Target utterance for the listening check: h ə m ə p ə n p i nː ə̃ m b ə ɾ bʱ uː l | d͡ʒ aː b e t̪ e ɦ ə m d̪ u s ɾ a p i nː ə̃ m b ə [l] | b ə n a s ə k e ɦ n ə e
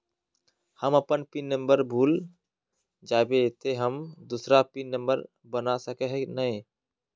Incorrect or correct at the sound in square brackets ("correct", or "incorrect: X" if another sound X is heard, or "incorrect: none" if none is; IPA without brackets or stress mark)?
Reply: incorrect: ɾ